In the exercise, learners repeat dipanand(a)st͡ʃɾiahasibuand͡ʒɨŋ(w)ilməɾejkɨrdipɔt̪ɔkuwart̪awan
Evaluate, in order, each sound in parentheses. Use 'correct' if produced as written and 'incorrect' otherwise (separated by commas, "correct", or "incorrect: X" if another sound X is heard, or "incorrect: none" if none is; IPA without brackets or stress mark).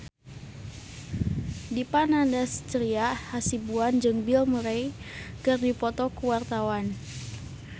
correct, incorrect: b